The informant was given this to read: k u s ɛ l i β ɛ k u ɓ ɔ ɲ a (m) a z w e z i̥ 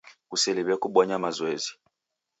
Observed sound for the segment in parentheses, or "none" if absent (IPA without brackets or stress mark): m